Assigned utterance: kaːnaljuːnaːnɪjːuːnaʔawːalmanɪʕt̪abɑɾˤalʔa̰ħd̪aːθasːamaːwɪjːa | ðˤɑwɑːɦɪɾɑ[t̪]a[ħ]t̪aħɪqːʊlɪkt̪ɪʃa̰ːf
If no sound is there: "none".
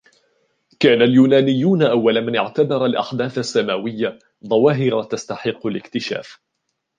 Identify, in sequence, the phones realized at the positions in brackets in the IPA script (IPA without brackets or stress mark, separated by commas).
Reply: t̪, s